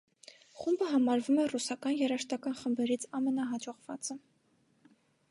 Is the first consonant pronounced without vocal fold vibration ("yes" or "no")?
yes